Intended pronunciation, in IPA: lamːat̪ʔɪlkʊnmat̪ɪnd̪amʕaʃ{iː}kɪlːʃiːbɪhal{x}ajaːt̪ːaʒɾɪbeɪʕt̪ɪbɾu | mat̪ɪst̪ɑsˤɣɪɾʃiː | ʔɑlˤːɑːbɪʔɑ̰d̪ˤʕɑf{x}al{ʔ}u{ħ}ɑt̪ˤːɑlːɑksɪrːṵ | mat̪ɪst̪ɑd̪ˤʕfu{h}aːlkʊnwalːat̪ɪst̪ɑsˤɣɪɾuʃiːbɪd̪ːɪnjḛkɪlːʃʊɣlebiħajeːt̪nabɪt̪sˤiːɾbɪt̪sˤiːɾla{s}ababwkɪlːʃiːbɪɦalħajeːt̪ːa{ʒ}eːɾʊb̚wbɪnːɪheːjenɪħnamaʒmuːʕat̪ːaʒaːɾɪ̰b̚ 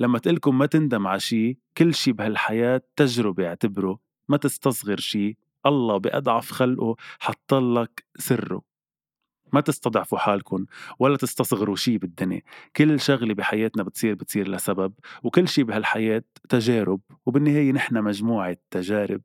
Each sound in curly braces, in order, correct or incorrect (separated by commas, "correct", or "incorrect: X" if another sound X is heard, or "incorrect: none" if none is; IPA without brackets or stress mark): correct, incorrect: ħ, correct, correct, correct, incorrect: ħ, correct, correct